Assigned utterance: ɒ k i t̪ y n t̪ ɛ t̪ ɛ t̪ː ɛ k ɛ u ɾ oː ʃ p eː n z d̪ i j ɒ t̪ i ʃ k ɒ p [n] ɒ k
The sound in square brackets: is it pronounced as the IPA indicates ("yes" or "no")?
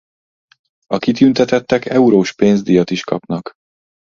yes